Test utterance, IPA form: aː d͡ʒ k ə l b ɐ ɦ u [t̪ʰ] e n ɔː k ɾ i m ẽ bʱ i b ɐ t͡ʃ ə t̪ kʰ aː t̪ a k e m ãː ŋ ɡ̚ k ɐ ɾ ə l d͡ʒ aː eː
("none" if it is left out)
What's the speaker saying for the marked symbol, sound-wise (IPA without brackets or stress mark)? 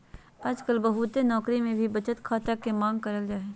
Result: t̪